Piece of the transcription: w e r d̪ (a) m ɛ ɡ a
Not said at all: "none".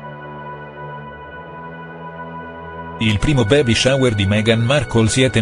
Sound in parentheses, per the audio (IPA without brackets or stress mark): i